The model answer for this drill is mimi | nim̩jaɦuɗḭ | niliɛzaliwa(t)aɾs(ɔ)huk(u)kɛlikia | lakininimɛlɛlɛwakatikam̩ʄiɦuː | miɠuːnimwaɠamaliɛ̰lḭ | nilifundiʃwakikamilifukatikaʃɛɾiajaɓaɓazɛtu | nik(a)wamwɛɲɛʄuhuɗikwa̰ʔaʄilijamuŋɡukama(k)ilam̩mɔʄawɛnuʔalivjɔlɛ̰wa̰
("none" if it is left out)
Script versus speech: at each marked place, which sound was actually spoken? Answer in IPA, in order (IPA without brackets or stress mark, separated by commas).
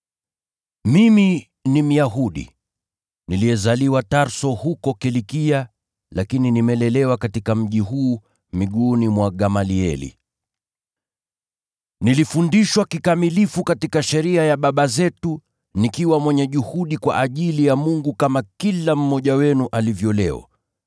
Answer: t, ɔ, ɔ, i, k